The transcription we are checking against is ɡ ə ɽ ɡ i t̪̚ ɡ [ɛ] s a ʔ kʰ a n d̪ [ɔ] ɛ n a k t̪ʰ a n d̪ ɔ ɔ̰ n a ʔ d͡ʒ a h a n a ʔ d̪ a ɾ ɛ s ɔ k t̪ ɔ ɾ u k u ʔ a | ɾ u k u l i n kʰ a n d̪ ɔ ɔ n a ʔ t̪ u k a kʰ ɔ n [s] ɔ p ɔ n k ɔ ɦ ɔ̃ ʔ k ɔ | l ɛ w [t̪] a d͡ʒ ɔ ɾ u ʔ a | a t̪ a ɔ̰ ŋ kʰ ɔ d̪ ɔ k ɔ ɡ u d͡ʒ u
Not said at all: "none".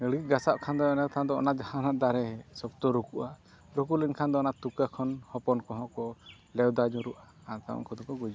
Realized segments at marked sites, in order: a, ɔ, h, d̪

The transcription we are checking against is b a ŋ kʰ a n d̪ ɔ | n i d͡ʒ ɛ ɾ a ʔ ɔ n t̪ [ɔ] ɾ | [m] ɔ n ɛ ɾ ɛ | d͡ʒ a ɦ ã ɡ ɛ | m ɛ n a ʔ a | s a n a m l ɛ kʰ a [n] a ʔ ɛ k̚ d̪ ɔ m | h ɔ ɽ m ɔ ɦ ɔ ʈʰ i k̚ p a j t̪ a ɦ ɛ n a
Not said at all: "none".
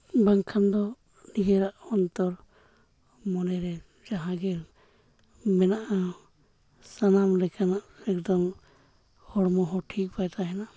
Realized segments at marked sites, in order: ɔ, m, n

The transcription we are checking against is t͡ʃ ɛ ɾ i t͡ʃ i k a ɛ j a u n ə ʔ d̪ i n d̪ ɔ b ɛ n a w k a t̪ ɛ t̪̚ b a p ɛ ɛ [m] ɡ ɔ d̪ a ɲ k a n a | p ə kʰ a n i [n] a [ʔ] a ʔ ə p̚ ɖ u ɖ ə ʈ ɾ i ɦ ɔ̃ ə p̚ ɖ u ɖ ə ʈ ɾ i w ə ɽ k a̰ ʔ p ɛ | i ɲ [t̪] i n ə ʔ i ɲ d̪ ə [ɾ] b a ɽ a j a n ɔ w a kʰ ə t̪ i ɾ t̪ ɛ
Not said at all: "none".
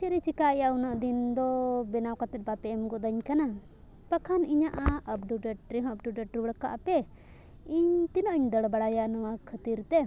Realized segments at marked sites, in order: m, ɲ, ʔ, t̪, ɽ

